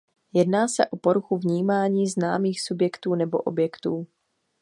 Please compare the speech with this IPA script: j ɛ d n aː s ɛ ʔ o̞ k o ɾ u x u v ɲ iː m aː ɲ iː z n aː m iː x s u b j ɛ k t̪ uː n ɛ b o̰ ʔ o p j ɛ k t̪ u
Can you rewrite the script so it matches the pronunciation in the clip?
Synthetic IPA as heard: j ɛ d n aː s ɛ ʔ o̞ p o ɾ u x u v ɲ iː m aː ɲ iː z n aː m iː x s u b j ɛ k t̪ uː n ɛ b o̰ ʔ o b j ɛ k t̪ uː